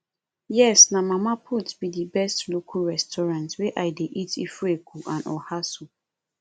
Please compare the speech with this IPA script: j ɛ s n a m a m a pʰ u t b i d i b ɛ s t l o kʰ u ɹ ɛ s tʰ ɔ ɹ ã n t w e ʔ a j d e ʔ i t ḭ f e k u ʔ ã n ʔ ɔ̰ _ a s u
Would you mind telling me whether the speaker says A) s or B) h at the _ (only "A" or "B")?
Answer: B